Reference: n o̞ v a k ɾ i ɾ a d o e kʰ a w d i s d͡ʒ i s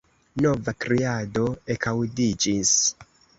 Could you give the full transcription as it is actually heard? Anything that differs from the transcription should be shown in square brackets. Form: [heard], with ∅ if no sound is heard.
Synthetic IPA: n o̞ v a k ɾ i [∅] a d o e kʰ a w d i [∅] d͡ʒ i s